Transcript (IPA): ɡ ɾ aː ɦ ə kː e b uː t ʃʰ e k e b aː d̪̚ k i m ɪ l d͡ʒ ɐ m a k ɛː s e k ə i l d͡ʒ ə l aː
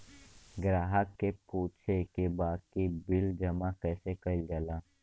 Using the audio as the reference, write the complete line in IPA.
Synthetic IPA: ɡ ɾ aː ɦ ə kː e p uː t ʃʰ e k e b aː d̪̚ k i b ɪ l d͡ʒ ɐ m a k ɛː s e k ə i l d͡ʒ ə l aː